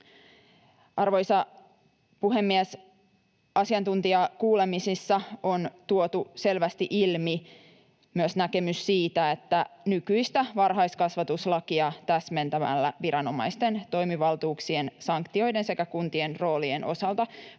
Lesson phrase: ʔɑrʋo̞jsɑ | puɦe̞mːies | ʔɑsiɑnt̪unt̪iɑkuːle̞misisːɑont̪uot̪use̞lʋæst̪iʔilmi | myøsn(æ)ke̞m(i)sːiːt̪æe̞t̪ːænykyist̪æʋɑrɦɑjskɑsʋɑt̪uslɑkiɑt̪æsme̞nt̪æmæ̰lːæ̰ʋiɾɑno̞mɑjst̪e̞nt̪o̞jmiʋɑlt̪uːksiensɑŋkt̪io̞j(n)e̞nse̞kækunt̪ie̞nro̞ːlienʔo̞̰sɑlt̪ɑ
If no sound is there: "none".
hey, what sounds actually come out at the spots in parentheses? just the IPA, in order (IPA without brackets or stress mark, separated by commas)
æ, y, d